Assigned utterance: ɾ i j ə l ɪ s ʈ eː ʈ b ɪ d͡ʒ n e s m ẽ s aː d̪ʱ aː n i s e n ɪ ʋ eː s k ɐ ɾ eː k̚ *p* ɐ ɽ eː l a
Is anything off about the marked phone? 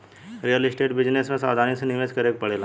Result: no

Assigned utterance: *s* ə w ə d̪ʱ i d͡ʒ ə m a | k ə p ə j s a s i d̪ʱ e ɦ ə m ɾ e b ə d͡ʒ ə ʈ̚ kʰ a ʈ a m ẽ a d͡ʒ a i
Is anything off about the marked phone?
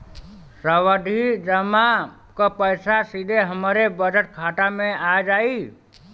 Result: no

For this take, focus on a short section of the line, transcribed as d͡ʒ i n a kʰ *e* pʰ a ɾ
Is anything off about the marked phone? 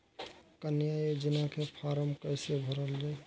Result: no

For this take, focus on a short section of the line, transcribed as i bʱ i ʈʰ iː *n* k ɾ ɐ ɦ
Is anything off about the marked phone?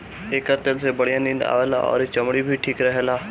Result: yes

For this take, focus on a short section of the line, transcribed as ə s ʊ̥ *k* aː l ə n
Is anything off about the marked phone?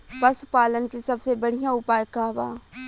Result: yes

